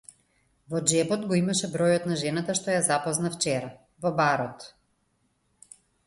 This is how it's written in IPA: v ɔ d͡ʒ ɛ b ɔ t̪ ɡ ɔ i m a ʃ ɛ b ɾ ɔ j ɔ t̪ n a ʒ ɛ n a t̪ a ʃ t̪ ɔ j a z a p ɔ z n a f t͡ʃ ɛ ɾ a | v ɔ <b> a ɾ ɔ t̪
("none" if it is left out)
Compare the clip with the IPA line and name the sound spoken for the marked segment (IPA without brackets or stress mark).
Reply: b